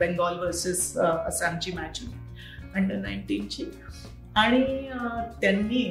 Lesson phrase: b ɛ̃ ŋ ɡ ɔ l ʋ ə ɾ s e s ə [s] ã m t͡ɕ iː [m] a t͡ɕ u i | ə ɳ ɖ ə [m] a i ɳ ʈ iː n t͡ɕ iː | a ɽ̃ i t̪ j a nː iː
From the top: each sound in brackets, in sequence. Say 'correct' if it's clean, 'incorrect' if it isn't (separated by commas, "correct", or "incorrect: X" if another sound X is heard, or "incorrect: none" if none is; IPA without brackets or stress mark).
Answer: correct, correct, incorrect: n